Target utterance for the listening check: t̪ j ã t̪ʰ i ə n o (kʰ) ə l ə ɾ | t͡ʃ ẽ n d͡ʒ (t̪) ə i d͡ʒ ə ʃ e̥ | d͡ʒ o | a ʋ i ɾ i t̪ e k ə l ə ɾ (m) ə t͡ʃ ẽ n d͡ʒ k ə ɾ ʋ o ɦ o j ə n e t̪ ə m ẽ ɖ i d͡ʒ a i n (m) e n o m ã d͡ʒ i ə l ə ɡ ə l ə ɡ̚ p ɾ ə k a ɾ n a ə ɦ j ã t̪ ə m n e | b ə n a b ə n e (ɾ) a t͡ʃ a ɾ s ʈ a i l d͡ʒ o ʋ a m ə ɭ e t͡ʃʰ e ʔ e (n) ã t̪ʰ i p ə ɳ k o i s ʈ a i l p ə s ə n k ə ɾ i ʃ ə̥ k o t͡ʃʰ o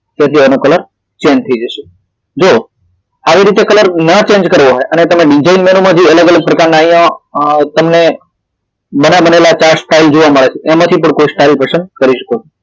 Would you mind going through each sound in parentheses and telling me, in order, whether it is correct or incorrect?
incorrect: k, incorrect: t̪ʰ, incorrect: n, correct, incorrect: l, incorrect: m

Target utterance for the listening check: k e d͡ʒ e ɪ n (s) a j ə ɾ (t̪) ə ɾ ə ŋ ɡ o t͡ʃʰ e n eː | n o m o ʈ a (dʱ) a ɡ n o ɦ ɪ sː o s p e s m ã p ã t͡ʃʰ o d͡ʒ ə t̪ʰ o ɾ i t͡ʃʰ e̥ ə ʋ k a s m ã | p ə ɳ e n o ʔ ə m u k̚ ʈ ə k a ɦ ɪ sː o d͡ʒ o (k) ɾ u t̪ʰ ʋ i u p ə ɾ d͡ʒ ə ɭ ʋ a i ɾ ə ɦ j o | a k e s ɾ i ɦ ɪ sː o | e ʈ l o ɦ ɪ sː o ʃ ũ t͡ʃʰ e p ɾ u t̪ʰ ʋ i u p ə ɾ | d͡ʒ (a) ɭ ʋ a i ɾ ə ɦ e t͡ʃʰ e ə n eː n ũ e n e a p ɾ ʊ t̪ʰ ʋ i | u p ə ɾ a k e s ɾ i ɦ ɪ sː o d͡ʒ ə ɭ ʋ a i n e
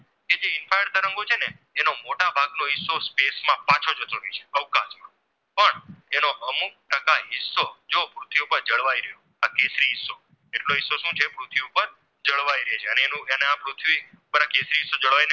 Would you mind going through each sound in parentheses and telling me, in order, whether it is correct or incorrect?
incorrect: f, correct, incorrect: bʱ, incorrect: p, incorrect: ə

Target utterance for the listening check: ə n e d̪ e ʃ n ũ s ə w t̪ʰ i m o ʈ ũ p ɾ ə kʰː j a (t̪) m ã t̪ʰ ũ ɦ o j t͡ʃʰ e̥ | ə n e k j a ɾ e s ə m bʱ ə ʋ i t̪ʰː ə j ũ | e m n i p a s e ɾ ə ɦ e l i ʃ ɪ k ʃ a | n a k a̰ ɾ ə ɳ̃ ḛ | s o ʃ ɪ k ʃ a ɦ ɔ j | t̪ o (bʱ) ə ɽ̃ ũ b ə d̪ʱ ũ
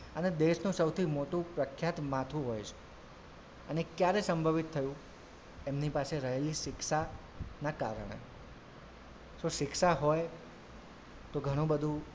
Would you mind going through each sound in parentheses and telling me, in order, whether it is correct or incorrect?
correct, incorrect: ɡʱ

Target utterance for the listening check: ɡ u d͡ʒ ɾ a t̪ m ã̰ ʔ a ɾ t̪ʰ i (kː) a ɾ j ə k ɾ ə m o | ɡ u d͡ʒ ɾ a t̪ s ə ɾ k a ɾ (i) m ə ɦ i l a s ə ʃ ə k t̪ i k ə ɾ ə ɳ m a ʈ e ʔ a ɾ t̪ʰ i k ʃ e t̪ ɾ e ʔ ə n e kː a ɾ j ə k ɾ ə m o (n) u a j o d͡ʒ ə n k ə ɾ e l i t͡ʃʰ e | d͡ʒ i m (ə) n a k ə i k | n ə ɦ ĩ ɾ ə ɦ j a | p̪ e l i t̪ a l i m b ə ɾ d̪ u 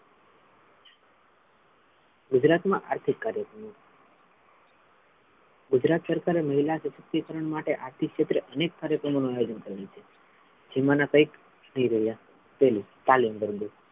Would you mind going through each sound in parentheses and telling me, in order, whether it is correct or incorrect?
correct, incorrect: e, correct, incorrect: a

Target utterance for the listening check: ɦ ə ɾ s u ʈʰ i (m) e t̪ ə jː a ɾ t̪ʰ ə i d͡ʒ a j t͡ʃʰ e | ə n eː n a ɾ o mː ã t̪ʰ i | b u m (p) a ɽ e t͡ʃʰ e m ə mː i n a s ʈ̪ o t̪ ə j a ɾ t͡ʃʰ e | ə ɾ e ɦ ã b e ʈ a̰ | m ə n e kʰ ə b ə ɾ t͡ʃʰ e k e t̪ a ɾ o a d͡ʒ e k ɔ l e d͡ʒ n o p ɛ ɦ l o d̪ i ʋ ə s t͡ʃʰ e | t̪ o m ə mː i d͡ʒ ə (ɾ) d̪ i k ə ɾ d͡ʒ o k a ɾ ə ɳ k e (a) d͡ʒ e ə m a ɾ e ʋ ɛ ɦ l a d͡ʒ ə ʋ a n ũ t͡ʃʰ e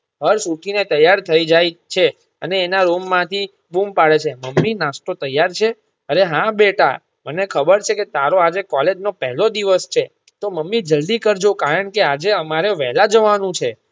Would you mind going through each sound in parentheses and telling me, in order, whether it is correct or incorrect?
incorrect: n, correct, incorrect: l, correct

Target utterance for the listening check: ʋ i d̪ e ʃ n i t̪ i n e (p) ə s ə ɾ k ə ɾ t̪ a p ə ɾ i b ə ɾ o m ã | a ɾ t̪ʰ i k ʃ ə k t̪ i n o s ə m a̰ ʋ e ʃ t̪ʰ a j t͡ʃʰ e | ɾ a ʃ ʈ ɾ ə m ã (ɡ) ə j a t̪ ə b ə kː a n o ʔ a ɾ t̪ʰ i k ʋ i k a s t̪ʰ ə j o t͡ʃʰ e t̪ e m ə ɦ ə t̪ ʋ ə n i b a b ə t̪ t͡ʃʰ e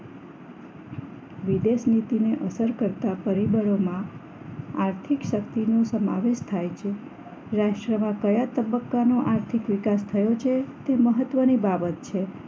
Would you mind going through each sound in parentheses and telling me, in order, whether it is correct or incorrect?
incorrect: ʔ, incorrect: k

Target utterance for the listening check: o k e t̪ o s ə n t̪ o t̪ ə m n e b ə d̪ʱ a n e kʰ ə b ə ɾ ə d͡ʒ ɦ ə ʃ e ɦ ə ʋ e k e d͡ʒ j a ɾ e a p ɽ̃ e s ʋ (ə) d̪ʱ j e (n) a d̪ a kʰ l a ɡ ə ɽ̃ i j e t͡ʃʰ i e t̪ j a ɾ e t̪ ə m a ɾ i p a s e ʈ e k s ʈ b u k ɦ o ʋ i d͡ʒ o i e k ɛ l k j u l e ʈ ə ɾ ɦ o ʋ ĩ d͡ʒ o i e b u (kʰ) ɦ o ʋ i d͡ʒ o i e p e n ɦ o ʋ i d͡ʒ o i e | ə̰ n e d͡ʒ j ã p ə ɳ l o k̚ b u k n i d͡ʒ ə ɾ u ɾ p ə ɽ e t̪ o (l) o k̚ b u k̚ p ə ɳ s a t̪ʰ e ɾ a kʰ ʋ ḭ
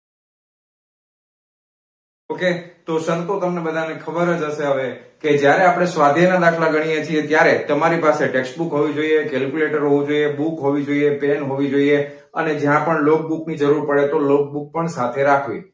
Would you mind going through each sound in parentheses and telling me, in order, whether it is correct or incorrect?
incorrect: a, correct, incorrect: k, correct

